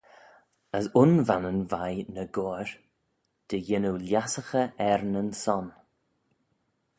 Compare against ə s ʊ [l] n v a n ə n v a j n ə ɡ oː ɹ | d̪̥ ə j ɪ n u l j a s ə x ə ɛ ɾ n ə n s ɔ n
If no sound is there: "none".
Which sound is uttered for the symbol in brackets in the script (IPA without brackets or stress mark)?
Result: none